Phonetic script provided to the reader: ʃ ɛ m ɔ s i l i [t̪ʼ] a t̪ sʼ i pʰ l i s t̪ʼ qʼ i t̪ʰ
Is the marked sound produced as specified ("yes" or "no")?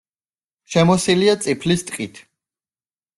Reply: no